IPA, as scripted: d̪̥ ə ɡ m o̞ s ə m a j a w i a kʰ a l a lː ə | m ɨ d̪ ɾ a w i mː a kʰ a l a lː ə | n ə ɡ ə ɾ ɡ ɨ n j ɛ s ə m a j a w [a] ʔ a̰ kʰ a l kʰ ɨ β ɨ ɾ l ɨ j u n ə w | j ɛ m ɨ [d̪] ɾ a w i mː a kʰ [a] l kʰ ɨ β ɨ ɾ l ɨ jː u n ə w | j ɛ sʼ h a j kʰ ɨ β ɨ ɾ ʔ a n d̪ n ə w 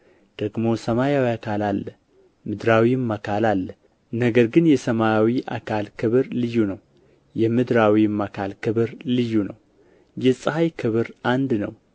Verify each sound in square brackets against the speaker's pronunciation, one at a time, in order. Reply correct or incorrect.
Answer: incorrect, correct, correct

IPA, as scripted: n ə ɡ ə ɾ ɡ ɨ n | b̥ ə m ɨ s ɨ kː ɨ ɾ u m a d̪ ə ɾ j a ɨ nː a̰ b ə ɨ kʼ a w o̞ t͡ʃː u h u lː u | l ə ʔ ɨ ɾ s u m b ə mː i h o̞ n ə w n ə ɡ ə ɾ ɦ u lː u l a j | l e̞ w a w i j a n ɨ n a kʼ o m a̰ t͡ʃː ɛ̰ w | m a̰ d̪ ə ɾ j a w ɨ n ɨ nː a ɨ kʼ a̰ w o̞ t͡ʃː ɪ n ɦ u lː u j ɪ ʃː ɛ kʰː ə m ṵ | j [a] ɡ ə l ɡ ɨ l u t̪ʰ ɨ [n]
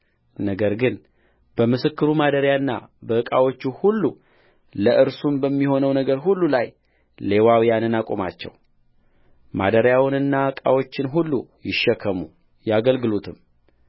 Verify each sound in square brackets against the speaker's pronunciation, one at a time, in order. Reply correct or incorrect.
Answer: correct, incorrect

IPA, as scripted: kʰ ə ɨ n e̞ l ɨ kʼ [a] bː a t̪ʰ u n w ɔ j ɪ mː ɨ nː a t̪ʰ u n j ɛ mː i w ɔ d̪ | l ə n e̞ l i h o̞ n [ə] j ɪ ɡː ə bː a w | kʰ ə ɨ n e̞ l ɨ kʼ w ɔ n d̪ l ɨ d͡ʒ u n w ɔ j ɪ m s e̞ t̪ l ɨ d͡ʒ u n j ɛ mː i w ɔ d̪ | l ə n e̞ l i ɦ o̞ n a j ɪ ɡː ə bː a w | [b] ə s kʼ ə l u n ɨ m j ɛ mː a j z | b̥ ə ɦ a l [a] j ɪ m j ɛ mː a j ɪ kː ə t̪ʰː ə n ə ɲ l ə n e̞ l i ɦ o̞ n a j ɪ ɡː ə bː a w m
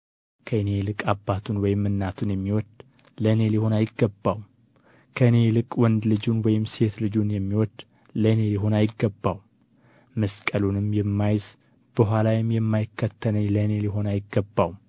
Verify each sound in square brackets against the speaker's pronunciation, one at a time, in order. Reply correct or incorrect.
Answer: correct, incorrect, incorrect, correct

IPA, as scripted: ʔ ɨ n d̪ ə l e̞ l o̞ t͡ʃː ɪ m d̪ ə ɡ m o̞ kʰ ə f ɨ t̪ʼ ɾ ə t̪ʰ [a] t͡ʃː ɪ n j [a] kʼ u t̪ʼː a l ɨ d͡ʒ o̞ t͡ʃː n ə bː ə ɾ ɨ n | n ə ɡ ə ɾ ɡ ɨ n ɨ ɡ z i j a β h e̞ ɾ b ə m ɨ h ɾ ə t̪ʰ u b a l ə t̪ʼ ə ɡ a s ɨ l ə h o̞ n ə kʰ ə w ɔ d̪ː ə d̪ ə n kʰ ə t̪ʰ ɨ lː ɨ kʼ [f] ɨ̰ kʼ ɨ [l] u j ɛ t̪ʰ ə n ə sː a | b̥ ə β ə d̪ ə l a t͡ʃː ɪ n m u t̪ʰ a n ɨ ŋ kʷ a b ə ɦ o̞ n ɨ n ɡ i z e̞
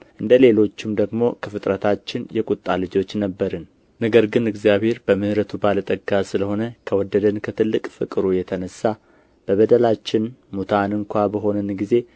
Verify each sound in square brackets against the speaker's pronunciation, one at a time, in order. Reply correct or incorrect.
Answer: correct, incorrect, correct, incorrect

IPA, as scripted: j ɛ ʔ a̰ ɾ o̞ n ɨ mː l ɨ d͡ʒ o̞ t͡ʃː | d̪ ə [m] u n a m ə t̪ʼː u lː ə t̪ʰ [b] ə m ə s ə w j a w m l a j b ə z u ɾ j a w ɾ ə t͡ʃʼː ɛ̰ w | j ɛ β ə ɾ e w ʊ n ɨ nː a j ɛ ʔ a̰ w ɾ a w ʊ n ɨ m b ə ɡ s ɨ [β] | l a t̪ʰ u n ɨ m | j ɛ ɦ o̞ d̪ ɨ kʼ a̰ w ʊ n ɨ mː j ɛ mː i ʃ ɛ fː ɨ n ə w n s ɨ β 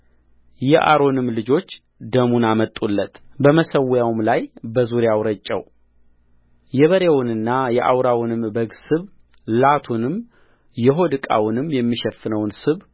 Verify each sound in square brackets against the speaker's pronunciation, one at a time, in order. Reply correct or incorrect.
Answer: correct, correct, correct

